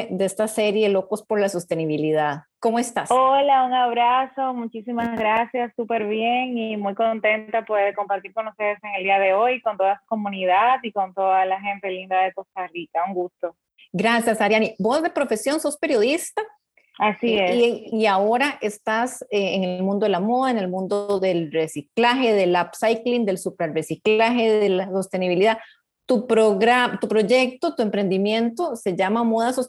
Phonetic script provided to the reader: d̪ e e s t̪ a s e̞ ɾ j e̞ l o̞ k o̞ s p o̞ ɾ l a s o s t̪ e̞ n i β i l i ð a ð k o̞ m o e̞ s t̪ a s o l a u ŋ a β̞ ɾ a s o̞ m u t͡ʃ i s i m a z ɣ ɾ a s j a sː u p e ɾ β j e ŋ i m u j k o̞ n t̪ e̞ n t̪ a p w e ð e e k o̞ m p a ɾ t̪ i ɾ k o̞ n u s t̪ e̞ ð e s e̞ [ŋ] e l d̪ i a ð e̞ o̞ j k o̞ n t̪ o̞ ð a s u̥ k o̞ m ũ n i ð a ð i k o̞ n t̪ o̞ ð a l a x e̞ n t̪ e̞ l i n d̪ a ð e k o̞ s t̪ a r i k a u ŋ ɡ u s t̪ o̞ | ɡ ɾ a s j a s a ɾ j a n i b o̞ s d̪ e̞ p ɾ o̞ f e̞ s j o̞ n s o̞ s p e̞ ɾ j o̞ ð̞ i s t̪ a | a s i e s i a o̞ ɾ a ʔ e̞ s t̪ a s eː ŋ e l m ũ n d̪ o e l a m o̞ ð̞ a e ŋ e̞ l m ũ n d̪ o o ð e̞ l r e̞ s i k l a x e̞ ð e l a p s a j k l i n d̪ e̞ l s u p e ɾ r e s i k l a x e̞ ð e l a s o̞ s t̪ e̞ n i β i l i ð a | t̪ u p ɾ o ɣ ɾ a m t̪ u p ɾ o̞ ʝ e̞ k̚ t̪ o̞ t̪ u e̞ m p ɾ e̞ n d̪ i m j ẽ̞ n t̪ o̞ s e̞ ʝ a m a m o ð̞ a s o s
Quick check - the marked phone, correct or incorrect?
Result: correct